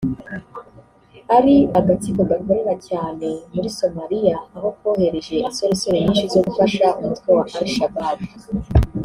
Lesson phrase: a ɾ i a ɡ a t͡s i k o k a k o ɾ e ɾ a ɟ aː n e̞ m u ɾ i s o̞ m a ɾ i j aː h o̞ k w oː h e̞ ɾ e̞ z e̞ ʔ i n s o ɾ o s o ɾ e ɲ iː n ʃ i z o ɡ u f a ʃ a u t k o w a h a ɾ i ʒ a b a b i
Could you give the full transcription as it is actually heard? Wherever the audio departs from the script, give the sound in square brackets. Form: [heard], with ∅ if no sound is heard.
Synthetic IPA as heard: a ɾ i a ɡ a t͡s i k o [ɡ] a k o ɾ e ɾ a [c] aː n e̞ m u ɾ i s o̞ m a ɾ i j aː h o̞ k w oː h e̞ ɾ e̞ [ʒ] e̞ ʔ i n s o ɾ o s o ɾ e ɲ iː n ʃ i z o ɡ u f a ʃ a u t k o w a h a ɾ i [ʃ] a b a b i